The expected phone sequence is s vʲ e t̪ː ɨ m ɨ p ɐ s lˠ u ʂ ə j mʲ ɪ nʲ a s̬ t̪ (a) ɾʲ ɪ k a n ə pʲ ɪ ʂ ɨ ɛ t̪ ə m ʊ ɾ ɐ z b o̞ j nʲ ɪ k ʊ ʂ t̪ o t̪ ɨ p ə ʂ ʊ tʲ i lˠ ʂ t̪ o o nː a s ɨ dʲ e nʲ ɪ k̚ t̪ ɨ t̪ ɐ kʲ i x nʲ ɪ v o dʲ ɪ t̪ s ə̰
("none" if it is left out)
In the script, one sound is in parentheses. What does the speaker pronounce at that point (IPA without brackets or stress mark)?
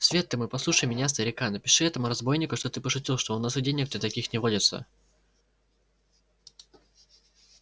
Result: ə